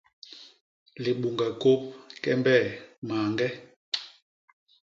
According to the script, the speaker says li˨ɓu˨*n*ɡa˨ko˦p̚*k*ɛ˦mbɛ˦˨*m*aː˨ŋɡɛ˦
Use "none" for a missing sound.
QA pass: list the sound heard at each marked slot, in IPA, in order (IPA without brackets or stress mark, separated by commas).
ŋ, k, m